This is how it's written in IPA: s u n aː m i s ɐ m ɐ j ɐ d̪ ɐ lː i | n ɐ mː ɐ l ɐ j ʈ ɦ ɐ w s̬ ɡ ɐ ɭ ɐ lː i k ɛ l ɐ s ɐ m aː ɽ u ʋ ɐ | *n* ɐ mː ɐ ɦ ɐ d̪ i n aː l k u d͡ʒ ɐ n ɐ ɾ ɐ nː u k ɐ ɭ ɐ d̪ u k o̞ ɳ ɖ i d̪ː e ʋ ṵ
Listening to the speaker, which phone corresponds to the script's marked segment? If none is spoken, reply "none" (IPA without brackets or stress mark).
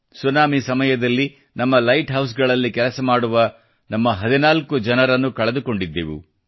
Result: n